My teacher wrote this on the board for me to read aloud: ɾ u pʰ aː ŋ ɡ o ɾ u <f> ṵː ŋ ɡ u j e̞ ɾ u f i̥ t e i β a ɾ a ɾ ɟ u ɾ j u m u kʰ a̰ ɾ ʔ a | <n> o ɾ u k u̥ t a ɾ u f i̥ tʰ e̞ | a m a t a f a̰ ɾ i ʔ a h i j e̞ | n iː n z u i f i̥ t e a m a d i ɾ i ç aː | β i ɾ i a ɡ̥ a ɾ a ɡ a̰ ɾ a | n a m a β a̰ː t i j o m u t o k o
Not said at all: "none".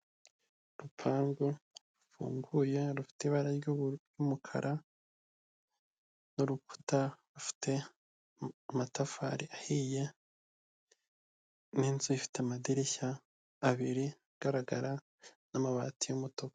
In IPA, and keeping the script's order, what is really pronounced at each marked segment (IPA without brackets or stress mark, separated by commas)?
f, n